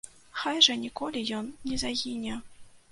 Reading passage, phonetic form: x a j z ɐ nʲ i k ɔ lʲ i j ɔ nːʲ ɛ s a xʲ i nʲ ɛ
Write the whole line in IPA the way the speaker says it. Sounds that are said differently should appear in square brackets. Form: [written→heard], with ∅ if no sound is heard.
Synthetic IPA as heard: x a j [z→ʐ] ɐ nʲ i k ɔ lʲ i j ɔ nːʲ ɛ [s→z] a [xʲ→ɣʲ] i nʲ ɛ